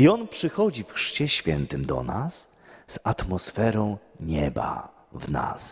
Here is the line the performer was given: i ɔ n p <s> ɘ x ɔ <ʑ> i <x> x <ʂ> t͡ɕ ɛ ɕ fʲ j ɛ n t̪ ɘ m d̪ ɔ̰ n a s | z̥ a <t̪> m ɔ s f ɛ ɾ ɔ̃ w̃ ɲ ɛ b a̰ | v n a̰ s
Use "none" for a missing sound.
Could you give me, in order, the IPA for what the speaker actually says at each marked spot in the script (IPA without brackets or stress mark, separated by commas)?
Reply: ʂ, d͡ʑ, f, ʂ, t̪